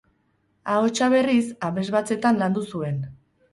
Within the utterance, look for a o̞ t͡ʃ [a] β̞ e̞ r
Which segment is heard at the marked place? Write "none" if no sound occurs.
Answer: a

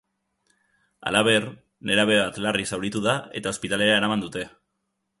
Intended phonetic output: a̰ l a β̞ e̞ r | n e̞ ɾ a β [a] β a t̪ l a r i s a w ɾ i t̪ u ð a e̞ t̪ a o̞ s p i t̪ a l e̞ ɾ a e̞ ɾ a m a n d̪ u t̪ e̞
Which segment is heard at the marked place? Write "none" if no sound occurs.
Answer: e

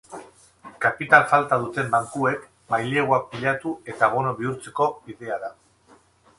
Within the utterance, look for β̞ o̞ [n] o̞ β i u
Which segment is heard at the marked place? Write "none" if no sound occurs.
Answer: n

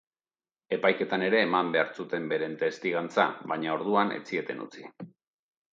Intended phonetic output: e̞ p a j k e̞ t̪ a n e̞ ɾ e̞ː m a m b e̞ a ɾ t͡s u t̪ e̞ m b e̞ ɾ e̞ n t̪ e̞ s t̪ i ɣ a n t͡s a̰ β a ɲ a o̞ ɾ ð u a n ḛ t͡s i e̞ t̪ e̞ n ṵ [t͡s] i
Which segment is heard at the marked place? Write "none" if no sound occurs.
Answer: t͡s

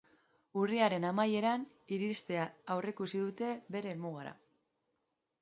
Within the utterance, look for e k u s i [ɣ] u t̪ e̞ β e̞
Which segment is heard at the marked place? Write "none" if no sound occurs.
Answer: ð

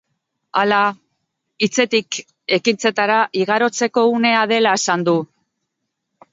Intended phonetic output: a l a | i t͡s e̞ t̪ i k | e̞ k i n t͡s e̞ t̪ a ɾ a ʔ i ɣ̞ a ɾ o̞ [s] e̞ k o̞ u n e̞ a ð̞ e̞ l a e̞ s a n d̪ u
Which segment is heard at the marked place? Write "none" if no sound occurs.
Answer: t͡s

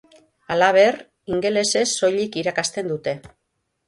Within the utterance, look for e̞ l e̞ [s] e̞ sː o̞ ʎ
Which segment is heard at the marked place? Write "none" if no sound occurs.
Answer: s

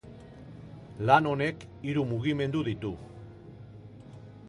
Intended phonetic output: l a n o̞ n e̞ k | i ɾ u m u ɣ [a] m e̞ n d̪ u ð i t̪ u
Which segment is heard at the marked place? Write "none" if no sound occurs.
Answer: i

